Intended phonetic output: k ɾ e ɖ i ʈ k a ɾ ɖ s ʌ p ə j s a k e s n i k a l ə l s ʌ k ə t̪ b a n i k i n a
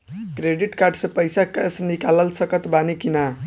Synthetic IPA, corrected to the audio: k ɾ e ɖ i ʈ k a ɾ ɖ s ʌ p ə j s a k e s n i k a l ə l s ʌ k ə t̪ b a n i k i n a